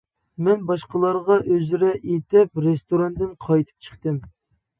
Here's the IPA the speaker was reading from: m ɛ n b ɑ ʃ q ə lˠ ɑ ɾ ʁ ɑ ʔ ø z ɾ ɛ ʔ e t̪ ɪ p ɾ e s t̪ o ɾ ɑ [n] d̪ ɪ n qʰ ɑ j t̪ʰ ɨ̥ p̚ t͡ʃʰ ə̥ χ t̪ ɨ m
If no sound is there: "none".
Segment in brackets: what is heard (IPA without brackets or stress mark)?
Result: n